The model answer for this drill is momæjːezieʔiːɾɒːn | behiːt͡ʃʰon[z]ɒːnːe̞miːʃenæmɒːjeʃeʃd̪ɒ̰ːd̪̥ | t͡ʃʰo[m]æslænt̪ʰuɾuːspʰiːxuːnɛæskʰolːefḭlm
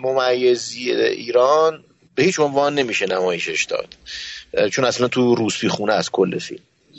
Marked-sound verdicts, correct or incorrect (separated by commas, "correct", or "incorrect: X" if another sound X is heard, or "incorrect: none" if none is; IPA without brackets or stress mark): incorrect: v, incorrect: n